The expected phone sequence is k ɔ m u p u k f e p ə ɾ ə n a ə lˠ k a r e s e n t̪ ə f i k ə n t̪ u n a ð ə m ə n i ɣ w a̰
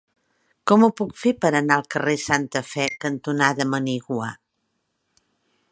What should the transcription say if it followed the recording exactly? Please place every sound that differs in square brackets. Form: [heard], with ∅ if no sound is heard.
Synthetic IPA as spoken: k ɔ m u p u k f e p ə ɾ ə n a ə lˠ k [ə] r e s [a] n t̪ ə f [ɛ] k ə n t̪ u n a ð ə m ə n i ɣ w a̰